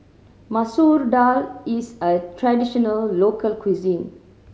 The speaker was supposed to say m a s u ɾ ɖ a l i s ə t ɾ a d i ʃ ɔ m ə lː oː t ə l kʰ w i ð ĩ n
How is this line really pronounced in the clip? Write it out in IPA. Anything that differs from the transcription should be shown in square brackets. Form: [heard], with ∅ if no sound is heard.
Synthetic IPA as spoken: m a s u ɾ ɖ a l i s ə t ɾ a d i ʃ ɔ [n] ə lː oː [k] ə l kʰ w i [z] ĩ n